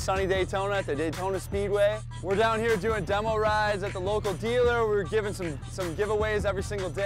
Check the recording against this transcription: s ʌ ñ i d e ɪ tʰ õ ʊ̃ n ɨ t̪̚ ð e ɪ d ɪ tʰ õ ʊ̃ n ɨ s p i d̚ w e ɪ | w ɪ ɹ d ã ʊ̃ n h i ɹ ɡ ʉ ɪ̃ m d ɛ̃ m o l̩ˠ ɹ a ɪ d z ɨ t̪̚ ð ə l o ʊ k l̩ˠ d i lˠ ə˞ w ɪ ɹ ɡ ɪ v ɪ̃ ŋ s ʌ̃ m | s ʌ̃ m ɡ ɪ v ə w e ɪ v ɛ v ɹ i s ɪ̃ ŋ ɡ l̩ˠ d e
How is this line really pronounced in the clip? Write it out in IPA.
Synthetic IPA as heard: s ʌ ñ i d e ɪ tʰ õ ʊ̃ n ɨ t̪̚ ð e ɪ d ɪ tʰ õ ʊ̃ n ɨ s p i d̚ w e ɪ | w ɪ ɹ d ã ʊ̃ n h i ɹ d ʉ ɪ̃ ŋ d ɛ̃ m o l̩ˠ ɹ a ɪ d z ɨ t̪̚ ð ə l o ʊ k l̩ˠ d i lˠ ə˞ w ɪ ɹ ɡ ɪ v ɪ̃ ŋ s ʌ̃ m | s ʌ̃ m ɡ ɪ v ə w e ɪ z ɛ v ɹ i s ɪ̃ ŋ ɡ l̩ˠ d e